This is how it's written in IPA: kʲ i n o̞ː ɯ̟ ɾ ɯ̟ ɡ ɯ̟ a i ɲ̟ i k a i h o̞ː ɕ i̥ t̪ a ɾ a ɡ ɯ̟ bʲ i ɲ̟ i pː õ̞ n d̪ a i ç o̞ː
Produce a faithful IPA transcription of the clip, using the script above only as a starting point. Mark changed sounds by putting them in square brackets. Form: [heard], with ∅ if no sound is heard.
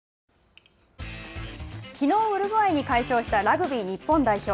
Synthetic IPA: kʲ i n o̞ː ɯ̟ ɾ ɯ̟ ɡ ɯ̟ a i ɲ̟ i k a i [ɕ] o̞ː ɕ i̥ t̪ a ɾ a ɡ ɯ̟ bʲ i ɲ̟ i pː õ̞ n d̪ a i ç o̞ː